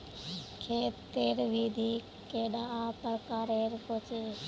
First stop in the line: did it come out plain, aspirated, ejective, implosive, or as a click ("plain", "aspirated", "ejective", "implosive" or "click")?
aspirated